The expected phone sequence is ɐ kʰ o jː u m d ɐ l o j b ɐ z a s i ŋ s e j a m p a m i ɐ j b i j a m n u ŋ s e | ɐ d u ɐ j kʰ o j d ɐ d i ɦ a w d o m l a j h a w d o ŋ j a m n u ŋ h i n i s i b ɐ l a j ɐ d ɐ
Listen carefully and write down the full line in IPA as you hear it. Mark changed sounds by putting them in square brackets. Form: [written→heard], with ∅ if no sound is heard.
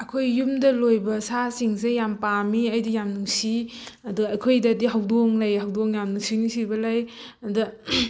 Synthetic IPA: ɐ kʰ o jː u m d ɐ l o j b ɐ [z→s] a s i ŋ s e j a m p a m i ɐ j [b→d] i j a m n u ŋ s [e→i] | ɐ d u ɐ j kʰ o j d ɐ d i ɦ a w d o [m→ŋ] l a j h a w d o ŋ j a m n u ŋ [h→s] i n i s i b ɐ l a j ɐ d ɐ